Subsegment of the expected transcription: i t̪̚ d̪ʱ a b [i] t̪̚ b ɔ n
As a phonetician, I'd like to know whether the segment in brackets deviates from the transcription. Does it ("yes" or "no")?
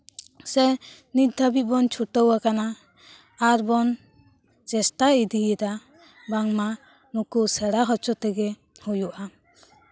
no